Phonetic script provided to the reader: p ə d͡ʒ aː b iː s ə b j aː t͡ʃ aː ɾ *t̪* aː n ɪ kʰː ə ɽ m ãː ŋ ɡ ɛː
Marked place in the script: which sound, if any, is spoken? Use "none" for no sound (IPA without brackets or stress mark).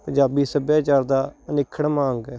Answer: d̪